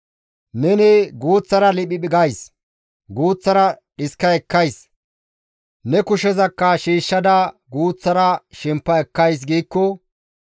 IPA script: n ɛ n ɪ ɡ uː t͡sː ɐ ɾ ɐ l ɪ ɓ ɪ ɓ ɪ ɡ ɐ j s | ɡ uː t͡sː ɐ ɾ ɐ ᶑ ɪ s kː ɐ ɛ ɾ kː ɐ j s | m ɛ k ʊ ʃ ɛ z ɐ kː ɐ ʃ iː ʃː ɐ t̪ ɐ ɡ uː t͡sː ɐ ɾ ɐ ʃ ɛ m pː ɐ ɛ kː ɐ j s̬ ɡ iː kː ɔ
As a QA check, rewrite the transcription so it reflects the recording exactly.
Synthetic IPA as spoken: n ɛ n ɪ ɡ uː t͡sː ɐ ɾ ɐ l ɪ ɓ ɪ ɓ ɪ ɡ ɐ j s | ɡ uː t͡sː ɐ ɾ ɐ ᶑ ɪ s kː ɐ ɛ kː ɐ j s | n ɛ k ʊ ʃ ɛ z ɐ kː ɐ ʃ iː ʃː ɐ d̪ ɐ ɡ uː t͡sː ɐ ɾ ɐ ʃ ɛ m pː ɐ ɛ kː ɐ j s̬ ɡ iː kː ɔ

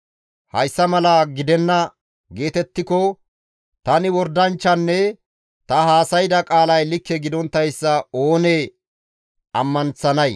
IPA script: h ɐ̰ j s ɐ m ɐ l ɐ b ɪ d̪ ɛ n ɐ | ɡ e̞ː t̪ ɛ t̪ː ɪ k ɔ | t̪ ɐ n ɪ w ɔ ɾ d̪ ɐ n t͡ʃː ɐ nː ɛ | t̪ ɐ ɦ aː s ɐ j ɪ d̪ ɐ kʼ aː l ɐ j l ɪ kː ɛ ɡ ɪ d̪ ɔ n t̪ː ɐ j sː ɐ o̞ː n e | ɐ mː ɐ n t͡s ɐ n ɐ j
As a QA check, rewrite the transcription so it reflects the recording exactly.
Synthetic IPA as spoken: h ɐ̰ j sː ɐ m ɐ l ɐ ɡ ɪ d̪ ɛ nː ɐ | ɡ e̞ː t̪ ɛ t̪ː ɪ k ɔ | t̪ ɐ n ɪ w ɔ ɾ d̪ ɐ n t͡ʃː ɐ nː ɛ | t̪ ɐ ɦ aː s ɐ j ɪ d̪ ɐ kʼ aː l ɐ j l ɪ kː ɛ ɡ ɪ d̪ ɔ n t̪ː ɐ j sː ɐ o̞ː n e | ɐ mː ɐ n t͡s ɐ n ɐ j

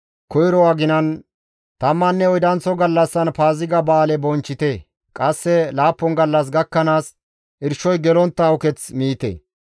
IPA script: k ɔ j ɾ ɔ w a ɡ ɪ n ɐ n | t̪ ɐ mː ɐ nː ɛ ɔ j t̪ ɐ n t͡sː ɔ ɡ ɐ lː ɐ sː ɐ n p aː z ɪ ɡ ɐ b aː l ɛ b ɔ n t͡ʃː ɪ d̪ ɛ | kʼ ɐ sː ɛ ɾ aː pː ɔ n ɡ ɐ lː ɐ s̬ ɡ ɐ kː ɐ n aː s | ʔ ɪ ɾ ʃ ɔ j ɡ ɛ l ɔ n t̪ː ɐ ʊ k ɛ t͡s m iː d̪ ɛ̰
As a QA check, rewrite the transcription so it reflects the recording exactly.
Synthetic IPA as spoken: k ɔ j ɾ ɔ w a ɡ ɪ n ɐ n | t̪ ɐ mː ɐ nː ɛ ɔ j d̪ ɐ n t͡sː ɔ ɡ ɐ lː ɐ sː ɐ n p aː z ɪ ɡ ɐ b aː l ɛ b ɔ n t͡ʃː ɪ t̪ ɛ | kʼ ɐ sː ɛ l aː pː ɔ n ɡ ɐ lː ɐ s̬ ɡ ɐ kː ɐ n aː s | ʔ ɪ ɾ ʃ ɔ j ɡ ɛ l ɔ n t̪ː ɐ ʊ k ɛ t͡s m iː t̪ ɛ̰

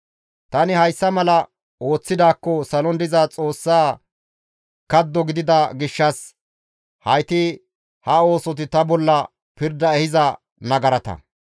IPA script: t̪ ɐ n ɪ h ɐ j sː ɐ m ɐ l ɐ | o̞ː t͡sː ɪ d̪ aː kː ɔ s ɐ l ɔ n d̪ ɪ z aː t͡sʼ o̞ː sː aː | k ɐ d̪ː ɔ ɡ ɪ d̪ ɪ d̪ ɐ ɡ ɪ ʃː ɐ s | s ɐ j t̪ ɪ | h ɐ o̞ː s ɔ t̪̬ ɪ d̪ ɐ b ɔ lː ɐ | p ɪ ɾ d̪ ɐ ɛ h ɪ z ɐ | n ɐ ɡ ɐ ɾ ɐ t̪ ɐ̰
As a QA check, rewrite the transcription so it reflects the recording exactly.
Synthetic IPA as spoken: t̪ ɐ n ɪ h ɐ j sː ɐ m ɐ l ɐ | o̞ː t͡sː ɪ d̪ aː kː ɔ s ɐ l ɔ n d̪ ɪ z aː t͡sʼ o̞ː sː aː | k ɐ d̪ː ɔ ɡ ɪ d̪ ɪ d̪ ɐ ɡ ɪ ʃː ɐ s | h ɐ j t̪ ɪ | h ɐ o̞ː s ɔ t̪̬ ɪ t̪ ɐ b ɔ lː ɐ | p ɪ ɾ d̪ ɐ ɛ h ɪ z ɐ | n ɐ ɡ ɐ ɾ ɐ t̪ ɐ̰

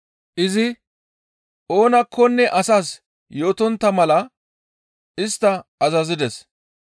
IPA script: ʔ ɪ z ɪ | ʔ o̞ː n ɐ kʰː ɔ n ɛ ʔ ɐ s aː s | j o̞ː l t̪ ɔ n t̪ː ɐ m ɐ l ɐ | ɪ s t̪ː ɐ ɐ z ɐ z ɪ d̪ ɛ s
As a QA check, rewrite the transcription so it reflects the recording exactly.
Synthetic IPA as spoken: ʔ ɪ z ɪ | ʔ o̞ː n ɐ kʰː ɔ nː ɛ ʔ ɐ s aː s | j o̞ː t̪ ɔ n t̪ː ɐ m ɐ l ɐ | ɪ s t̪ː ɐ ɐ z ɐ z ɪ d̪ ɛ s

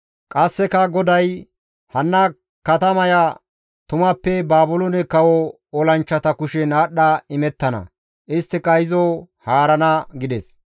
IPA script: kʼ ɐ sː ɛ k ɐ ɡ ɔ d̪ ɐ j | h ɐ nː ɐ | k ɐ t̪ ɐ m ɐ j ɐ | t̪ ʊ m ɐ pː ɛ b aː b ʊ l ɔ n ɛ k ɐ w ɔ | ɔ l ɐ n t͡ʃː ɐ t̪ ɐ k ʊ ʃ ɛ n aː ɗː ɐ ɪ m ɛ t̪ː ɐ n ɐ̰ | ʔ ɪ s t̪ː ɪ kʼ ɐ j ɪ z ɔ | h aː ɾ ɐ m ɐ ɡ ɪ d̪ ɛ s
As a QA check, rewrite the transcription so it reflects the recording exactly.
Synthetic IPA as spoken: kʼ ɐ sː ɛ k ɐ ɡ ɔ d̪ ɐ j | h ɐ nː ɐ | k ɐ t̪ ɐ m ɐ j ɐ | t̪ ʊ m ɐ pː ɛ b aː b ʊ l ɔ n ɛ k ɐ w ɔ | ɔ l ɐ n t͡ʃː ɐ t̪ ɐ k ʊ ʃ ɛ n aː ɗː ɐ ɪ m ɛ t̪ː ɐ n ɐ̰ | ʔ ɪ s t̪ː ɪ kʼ ɐ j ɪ z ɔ | h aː ɾ ɐ n ɐ ɡ ɪ d̪ ɛ s

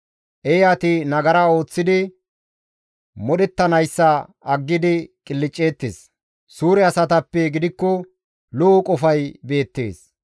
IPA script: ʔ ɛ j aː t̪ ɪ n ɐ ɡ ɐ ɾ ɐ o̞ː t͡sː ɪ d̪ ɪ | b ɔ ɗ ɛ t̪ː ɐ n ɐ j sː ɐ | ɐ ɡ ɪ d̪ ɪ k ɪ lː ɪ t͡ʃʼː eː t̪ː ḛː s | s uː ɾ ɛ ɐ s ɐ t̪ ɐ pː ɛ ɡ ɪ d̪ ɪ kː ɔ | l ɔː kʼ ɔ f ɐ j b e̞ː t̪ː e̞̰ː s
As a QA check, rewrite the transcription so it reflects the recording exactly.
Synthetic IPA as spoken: ʔ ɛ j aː t̪ ɪ n ɐ ɡ ɐ ɾ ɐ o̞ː t͡sː ɪ d̪ ɪ | m ɔ ɗ ɛ t̪ː ɐ n ɐ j sː ɐ | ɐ ɡː ɪ d̪ ɪ kʼ ɪ lː ɪ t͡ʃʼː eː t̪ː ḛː s | s uː ɾ ɛ ɐ s ɐ t̪ ɐ pː ɛ ɡ ɪ d̪ ɪ kː ɔ | l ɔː kʼ ɔ f ɐ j b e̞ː t̪ː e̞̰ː s

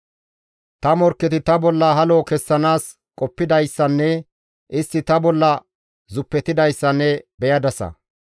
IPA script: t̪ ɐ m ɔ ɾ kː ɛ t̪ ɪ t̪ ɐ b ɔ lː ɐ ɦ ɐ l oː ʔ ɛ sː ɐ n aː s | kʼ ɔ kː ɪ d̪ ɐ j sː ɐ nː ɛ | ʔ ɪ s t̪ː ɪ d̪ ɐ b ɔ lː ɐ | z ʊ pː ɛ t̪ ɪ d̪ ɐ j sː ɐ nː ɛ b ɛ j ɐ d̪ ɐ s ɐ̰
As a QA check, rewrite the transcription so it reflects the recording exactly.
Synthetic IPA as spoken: t̪ ɐ m ɔ ɾ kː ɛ t̪ ɪ t̪ ɐ b ɔ lː ɐ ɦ ɐ l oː k ɛ sː ɐ n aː s | kʼ ɔ pː ɪ d̪ ɐ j sː ɐ nː ɛ | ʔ ɪ s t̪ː ɪ t̪ ɐ b ɔ lː ɐ | z ʊ pː ɛ t̪ ɪ d̪ ɐ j sː ɐ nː ɛ b ɛ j ɐ d̪ ɐ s ɐ̰

